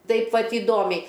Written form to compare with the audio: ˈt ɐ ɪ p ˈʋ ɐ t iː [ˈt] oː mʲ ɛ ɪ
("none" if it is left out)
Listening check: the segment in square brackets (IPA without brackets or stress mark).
d